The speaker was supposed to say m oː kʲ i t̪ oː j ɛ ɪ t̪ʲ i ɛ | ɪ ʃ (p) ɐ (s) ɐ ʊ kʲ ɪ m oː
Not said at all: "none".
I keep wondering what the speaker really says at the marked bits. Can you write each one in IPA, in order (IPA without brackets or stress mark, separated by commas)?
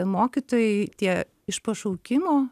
p, ʃ